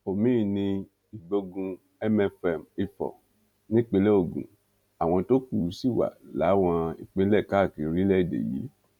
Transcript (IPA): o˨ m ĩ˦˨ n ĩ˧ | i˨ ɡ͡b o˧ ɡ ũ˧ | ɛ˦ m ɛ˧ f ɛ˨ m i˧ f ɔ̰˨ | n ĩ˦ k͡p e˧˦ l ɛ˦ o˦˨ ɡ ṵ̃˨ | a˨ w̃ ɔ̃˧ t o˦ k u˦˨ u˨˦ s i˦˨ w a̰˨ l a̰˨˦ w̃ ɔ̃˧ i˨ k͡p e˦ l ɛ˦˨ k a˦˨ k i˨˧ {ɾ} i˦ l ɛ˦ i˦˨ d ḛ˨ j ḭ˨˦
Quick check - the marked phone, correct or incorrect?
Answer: correct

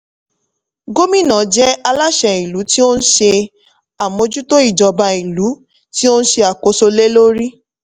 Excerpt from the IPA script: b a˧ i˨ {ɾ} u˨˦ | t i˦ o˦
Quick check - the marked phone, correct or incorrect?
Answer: incorrect: l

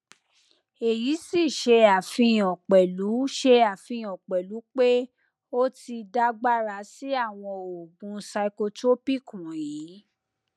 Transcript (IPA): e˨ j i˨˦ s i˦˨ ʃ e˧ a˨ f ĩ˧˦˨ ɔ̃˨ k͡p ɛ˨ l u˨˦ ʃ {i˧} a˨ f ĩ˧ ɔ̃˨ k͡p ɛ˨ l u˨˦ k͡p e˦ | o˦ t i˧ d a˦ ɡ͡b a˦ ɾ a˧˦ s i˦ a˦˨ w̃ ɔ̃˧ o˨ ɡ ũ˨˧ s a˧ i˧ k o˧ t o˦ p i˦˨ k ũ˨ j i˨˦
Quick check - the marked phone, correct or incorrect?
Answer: incorrect: e˧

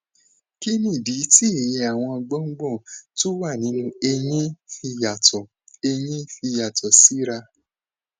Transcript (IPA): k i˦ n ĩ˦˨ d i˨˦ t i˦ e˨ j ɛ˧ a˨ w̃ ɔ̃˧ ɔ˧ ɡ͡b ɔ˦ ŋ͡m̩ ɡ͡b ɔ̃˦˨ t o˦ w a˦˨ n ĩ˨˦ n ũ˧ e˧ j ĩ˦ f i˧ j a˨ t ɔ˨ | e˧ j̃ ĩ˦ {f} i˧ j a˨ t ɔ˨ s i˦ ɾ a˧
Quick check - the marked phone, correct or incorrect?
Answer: correct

